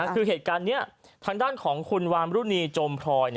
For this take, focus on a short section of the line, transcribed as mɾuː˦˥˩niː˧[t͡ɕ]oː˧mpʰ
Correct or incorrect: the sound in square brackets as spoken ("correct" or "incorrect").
correct